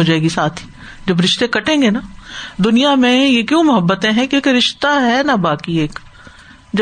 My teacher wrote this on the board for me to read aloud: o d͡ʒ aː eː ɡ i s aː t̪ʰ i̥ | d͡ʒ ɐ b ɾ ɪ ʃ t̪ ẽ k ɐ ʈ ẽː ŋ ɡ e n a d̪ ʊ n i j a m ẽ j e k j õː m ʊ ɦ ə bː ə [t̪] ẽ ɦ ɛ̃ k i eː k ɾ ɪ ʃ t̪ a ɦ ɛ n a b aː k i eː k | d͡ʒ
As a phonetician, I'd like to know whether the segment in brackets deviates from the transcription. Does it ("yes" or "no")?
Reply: no